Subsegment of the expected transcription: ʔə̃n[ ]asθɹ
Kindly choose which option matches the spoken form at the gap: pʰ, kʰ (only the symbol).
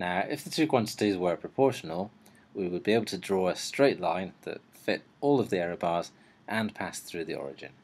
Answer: pʰ